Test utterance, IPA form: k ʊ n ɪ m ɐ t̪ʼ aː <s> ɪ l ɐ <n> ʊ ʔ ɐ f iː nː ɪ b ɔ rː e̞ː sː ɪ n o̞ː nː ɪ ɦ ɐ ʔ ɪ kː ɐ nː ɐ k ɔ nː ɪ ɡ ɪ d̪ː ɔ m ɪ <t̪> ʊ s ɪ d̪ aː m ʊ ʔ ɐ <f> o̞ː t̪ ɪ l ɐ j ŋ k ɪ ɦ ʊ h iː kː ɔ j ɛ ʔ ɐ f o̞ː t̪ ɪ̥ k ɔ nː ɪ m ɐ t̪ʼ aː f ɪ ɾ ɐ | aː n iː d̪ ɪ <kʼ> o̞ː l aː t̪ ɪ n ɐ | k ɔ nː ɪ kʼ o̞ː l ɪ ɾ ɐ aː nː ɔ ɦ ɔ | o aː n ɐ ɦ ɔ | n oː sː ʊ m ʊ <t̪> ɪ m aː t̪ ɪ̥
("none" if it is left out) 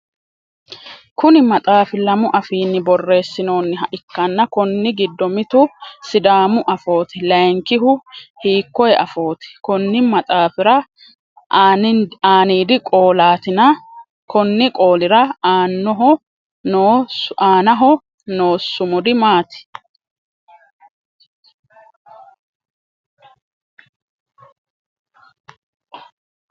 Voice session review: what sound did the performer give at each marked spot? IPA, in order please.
f, m, t̪, f, kʼ, d̪

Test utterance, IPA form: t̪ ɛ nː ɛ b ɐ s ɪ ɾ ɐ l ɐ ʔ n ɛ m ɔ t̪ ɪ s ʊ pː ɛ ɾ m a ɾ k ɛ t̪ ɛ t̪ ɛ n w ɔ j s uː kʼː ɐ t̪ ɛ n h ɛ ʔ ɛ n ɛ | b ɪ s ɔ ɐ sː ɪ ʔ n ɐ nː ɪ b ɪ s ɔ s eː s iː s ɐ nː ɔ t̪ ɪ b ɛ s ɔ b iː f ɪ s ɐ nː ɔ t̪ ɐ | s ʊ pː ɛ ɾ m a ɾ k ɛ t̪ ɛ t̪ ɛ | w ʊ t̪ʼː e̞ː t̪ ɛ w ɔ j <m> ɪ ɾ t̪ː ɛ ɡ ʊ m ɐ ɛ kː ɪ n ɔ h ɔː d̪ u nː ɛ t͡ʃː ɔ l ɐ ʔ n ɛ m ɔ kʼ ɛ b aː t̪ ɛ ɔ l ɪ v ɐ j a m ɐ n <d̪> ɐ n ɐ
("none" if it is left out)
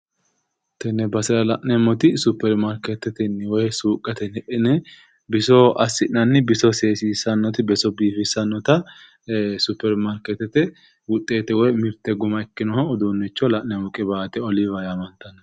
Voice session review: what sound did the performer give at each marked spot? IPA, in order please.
m, t̪

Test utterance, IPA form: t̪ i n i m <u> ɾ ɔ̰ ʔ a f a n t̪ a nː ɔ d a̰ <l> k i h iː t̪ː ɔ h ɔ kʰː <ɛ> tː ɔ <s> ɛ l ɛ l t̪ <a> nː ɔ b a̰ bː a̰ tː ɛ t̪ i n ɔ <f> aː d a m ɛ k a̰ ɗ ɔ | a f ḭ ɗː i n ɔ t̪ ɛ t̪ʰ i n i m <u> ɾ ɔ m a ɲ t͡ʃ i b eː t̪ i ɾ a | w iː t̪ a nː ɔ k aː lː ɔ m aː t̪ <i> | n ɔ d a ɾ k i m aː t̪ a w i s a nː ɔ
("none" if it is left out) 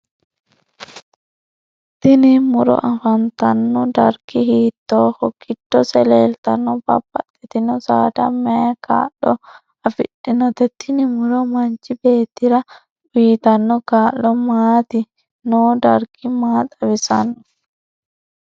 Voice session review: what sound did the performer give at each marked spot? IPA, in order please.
u, ɾ, i, s, a, s, u, i

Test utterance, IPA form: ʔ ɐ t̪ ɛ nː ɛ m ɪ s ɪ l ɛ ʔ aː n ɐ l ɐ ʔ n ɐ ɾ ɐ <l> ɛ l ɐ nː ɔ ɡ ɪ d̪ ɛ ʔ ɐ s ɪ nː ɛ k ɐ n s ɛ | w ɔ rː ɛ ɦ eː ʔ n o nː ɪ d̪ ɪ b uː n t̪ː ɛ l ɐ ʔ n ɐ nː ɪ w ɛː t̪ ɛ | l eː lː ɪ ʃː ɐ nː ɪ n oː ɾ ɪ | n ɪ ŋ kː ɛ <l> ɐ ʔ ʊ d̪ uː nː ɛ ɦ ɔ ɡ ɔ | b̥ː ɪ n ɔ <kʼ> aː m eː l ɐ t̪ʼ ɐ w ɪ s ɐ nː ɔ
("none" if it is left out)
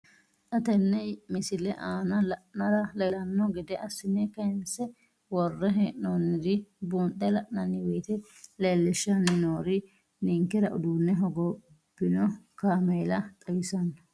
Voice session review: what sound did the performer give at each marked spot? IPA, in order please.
l, ɾ, k

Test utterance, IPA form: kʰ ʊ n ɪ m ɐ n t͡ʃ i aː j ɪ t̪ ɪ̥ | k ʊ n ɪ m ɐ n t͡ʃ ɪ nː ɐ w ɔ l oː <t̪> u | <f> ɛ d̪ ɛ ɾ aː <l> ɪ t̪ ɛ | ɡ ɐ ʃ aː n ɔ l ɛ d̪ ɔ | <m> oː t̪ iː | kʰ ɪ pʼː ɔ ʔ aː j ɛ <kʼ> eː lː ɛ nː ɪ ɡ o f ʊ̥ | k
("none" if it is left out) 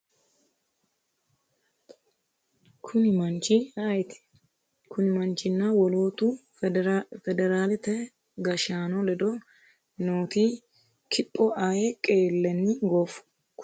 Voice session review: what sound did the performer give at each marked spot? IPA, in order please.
t̪, f, l, n, kʼ

